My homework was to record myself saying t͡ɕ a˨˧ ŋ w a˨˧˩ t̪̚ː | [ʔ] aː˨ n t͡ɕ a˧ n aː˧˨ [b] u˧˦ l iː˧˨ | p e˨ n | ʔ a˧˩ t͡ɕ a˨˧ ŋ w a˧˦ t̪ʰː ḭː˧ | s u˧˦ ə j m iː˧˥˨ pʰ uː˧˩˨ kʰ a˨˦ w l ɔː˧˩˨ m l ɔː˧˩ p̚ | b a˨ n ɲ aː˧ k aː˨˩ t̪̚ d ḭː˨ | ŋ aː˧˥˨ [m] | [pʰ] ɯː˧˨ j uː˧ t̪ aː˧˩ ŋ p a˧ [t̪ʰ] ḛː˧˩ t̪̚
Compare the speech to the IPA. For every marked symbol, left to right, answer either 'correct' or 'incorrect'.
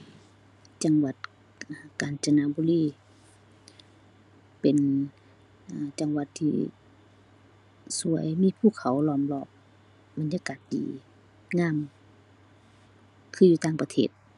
incorrect, correct, correct, incorrect, correct

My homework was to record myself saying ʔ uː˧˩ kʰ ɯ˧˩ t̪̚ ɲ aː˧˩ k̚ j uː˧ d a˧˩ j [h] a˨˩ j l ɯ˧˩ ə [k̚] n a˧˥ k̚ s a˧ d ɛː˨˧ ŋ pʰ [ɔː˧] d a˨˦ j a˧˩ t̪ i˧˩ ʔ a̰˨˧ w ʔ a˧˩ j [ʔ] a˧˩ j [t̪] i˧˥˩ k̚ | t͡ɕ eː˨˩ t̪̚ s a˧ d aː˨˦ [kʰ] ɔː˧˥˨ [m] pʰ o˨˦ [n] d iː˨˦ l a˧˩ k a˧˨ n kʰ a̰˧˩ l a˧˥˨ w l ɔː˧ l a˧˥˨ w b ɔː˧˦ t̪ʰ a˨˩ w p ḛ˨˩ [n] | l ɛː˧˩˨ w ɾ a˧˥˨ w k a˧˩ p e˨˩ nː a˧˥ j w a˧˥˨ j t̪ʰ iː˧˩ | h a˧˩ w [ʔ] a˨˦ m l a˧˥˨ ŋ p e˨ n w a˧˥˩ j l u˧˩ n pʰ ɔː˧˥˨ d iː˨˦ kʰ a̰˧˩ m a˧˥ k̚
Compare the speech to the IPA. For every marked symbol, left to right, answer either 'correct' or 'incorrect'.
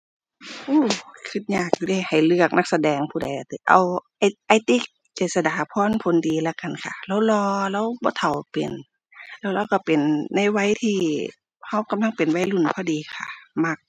correct, correct, incorrect, correct, correct, incorrect, incorrect, correct, correct, incorrect

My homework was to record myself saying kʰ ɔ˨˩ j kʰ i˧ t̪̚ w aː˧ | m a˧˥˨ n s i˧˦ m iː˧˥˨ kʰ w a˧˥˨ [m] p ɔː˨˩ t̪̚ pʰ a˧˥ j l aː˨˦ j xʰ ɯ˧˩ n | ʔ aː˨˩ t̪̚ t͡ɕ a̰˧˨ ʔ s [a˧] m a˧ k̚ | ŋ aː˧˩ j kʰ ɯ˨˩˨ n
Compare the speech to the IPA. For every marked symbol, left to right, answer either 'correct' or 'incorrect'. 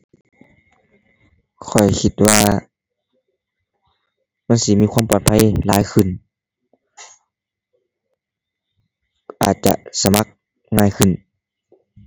correct, correct

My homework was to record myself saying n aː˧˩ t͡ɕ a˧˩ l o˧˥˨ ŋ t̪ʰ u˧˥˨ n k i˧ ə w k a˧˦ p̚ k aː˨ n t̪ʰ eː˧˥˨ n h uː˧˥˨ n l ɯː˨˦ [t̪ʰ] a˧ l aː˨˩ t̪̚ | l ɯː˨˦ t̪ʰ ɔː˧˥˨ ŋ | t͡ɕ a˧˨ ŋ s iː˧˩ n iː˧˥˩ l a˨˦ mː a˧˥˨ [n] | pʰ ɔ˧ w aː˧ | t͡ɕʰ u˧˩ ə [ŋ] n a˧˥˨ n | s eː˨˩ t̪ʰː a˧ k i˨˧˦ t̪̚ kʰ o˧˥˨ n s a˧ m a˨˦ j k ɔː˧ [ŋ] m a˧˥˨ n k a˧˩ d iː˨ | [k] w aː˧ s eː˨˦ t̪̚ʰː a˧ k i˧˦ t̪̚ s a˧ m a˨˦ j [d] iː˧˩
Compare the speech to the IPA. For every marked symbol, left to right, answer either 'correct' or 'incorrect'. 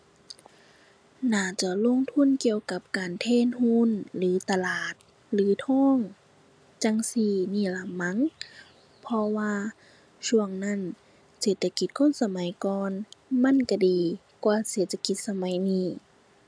incorrect, incorrect, correct, incorrect, correct, incorrect

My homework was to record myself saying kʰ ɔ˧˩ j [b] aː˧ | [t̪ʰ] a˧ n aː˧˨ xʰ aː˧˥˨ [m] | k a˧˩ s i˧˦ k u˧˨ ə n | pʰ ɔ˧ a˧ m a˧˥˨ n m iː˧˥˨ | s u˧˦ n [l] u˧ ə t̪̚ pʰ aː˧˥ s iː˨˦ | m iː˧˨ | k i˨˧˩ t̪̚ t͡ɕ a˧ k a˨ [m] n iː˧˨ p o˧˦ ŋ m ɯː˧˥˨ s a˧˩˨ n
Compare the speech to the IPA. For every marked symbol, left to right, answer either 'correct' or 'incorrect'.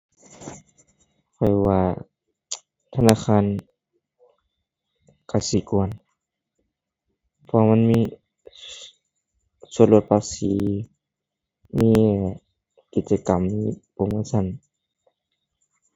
incorrect, correct, incorrect, correct, correct

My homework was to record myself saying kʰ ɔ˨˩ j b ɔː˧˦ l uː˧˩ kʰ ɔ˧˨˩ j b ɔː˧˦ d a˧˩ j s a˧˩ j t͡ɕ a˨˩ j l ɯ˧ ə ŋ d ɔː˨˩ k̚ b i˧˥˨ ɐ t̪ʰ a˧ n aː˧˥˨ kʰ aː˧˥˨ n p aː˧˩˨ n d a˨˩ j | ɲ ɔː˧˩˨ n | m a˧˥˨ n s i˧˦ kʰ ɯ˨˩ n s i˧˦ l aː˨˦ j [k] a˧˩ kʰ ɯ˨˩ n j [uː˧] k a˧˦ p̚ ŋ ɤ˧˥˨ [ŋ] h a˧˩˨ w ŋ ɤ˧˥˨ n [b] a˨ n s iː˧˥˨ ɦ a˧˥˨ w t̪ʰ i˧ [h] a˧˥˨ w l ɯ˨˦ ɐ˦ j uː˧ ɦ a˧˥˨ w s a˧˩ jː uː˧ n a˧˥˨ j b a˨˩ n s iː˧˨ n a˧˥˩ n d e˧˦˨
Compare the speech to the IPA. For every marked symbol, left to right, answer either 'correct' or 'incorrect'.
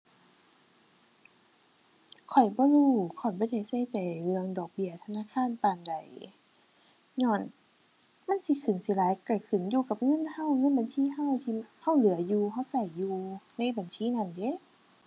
correct, correct, incorrect, correct, correct

